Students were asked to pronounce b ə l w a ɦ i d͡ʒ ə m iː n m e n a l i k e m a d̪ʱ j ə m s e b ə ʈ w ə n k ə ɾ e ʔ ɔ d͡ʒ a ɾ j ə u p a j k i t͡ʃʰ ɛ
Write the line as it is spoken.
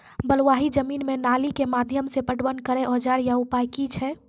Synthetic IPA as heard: b ə l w a ɦ i d͡ʒ ə m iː n m e n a l i k e m a d̪ʱ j ə m s e p ə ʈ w ə n k ə ɾ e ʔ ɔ d͡ʒ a ɾ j a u p a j k i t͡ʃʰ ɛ

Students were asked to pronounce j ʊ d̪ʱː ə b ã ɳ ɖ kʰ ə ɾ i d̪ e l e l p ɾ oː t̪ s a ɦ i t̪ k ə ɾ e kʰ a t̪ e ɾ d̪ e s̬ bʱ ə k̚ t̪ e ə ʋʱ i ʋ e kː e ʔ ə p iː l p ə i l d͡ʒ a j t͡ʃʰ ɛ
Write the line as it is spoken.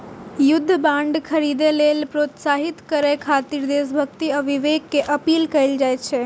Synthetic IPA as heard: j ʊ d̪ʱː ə b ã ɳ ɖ kʰ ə ɾ i d̪ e l e l p ɾ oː t̪ s a ɦ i t̪ k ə ɾ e kʰ a t̪ i ɾ d̪ e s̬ bʱ ə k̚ t̪ i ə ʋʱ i ʋ e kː e ʔ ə p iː l k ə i l d͡ʒ a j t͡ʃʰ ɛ

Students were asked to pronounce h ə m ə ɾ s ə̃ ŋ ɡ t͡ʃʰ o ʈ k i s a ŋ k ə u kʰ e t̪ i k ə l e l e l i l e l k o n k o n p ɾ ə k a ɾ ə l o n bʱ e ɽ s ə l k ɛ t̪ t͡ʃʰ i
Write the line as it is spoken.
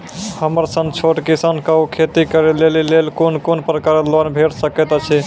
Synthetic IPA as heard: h ə m ə ɾ s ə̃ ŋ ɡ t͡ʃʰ o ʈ k i s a n k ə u kʰ e t̪ i k ə ɾ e l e l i l e l k o n k o n p ɾ ə k a ɾ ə l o n bʱ e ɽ s ə k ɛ t̪ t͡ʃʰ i

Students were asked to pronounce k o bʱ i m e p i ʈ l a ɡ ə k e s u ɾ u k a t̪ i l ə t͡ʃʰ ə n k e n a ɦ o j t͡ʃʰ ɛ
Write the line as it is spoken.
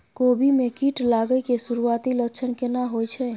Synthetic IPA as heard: k o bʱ i m e k i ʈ l a ɡ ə k e s u ɾ u a t̪ i l ə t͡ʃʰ ə n k e n a ɦ o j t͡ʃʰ ɛ

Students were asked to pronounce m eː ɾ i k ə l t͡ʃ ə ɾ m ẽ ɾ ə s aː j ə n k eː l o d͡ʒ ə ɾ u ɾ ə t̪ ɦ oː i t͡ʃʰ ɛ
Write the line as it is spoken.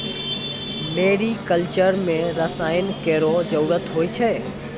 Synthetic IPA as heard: m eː ɾ i k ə l t͡ʃ ə ɾ m ẽ ɾ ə s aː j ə n k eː ɾ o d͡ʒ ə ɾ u ɾ ə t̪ ɦ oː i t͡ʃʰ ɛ

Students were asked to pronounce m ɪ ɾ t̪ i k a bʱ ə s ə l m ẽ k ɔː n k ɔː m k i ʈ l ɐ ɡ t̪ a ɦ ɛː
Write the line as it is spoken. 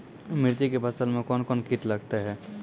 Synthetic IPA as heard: m ɪ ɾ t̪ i k e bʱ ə s ə l m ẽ k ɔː n k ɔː n k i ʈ l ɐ ɡ t̪ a ɦ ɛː

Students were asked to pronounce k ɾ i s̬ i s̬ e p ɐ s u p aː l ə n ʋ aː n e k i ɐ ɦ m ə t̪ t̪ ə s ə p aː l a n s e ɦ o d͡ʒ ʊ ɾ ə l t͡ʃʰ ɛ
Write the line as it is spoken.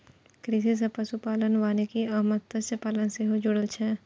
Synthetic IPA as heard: k ɾ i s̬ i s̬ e p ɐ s u p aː l ə n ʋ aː n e k i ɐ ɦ m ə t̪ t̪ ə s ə p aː l ə n s e ɦ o d͡ʒ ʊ ɽ ə l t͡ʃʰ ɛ

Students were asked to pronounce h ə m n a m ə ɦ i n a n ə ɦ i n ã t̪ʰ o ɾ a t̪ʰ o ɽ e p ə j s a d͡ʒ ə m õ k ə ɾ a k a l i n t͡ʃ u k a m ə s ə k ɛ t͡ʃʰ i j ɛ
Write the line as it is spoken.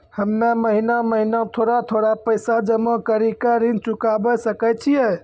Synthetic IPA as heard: h ə m n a m ə ɦ i n a m ə ɦ i n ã t̪ʰ o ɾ a t̪ʰ o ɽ a p ə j s a d͡ʒ ə m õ k ə ɾ i k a ɾ i n t͡ʃ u k a b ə s ə k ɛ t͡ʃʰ i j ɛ

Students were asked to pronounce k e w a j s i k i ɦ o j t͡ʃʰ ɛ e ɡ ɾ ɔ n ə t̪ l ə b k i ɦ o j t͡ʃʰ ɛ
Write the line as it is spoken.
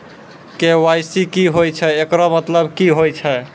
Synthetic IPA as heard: k e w a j s i k i ɦ o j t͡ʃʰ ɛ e k ɾ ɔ m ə t̪ l ə b k i ɦ o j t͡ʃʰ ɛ

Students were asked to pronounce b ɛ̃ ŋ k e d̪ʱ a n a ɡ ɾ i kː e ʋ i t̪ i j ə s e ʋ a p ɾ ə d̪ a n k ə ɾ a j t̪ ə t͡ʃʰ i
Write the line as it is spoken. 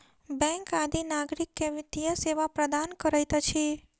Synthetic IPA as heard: b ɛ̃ ŋ k a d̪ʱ i n a ɡ ɾ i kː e ʋ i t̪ i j ə s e ʋ a p ɾ ə d̪ a n k ə ɾ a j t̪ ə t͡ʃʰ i

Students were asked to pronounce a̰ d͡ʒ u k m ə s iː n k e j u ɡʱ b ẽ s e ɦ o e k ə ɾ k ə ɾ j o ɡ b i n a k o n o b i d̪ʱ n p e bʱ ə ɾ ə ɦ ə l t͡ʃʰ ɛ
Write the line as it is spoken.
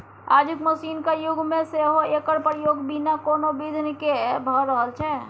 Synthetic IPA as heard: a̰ d͡ʒ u k m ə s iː n k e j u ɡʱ m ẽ s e ɦ o e k ə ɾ p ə ɾ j o ɡ b i n a k o n o b i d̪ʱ n k e bʱ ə ɾ ə ɦ ə l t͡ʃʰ ɛ

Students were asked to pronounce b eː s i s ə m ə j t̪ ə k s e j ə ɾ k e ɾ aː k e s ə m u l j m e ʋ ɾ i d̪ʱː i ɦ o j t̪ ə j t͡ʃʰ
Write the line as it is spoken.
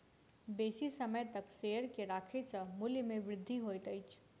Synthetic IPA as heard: b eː s i s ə m ə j t̪ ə k s e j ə ɾ k e ɾ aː kʰ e s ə m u l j m e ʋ ɾ ɪ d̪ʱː i ɦ o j t̪ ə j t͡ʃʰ

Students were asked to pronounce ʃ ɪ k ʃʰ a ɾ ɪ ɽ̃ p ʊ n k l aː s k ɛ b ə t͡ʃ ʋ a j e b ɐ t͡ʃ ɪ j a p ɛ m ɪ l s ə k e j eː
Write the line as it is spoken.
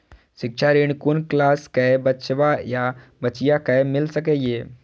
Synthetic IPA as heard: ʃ ɪ k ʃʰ a ɾ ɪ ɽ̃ k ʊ n k l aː s k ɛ b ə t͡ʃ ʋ a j a b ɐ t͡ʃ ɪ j a k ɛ m ɪ l s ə k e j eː

